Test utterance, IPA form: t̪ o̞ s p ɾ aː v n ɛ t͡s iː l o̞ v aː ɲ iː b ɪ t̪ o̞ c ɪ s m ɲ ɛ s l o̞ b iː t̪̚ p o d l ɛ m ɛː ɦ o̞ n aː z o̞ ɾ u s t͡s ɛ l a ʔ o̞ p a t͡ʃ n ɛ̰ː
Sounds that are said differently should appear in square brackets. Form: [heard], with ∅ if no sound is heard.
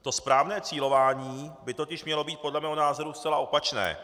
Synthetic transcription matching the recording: t̪ o̞ s p ɾ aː v n [ɛː] t͡s iː l o̞ v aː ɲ iː b ɪ t̪ o̞ c ɪ [ʃ] m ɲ ɛ [∅] l o̞ b iː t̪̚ p o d l ɛ m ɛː ɦ o̞ n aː z o̞ ɾ u s t͡s ɛ l a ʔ o̞ p a t͡ʃ n ɛ̰ː